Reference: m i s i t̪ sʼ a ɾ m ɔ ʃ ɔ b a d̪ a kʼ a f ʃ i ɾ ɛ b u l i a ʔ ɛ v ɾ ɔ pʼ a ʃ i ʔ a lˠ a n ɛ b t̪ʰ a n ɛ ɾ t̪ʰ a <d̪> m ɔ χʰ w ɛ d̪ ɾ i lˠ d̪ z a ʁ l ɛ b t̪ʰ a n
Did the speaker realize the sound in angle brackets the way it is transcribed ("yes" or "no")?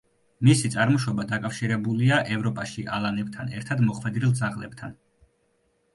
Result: yes